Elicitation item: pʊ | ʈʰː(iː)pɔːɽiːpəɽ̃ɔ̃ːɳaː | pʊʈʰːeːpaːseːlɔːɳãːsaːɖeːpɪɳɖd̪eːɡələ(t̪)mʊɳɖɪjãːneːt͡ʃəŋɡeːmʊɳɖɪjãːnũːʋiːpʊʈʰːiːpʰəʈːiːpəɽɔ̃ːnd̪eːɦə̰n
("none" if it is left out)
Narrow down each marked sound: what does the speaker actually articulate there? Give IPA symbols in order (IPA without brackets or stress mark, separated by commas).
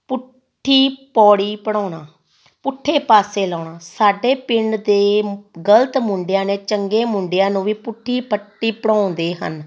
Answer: iː, t̪